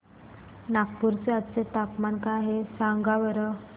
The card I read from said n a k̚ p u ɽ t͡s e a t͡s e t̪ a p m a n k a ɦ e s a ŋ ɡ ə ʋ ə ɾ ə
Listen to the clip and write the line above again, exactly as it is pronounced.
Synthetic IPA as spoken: n a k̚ p u ɾ t͡s e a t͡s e t̪ a p m a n k a ɦ e s a ŋ ɡ a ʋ ə ɾ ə